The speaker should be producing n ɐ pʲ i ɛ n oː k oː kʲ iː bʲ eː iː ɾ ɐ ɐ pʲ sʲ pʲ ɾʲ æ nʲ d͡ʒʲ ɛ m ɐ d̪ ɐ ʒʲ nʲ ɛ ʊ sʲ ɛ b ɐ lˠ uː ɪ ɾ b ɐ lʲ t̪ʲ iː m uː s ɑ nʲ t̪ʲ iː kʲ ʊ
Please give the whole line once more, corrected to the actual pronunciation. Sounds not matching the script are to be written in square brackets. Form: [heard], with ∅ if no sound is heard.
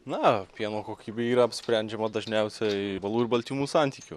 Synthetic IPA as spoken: n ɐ pʲ i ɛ n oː k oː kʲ iː bʲ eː iː ɾ ɐ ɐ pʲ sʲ pʲ ɾʲ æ nʲ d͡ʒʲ ɛ m ɐ d̪ ɐ ʒʲ nʲ ɛ ʊ sʲ ɛ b ɐ lˠ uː ɪ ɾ b ɐ lʲ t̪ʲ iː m uː s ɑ nʲ t̪ʲ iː kʲ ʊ